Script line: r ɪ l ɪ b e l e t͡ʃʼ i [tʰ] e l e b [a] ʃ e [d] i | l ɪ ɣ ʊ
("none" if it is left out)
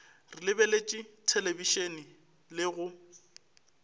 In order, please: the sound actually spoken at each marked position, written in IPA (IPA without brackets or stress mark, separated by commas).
tʰ, i, n